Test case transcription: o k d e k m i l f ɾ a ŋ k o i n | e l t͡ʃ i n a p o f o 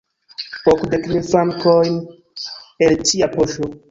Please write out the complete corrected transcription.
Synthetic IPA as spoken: o k d e k m i l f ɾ a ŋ k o j n | e l t͡ʃ i a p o ʃ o